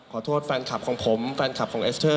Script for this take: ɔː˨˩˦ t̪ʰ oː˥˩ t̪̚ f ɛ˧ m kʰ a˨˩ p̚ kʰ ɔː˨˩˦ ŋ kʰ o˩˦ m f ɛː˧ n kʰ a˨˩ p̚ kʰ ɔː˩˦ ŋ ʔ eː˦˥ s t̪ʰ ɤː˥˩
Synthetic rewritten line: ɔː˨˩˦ t̪ʰ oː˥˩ t̪̚ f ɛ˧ n kʰ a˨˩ p̚ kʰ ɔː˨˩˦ ŋ pʰ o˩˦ m f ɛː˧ n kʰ a˨˩ p̚ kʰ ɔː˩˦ ŋ ʔ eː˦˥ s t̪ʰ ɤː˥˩